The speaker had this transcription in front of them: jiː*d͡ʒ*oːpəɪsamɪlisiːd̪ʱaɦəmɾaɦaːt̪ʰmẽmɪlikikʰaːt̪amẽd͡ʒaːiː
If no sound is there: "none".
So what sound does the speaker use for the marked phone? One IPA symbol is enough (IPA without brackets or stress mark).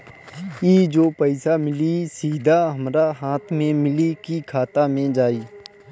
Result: d͡ʒ